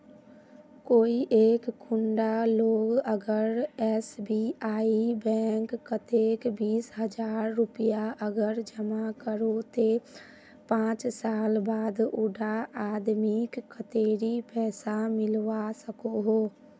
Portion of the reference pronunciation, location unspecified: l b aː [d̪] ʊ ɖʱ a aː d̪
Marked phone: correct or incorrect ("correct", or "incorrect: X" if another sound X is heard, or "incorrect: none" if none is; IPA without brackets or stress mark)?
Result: correct